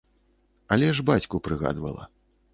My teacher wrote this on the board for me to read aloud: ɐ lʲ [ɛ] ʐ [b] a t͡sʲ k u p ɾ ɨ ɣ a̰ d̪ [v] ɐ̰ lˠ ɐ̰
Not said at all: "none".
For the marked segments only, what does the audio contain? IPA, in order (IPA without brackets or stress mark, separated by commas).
ɛ, b, v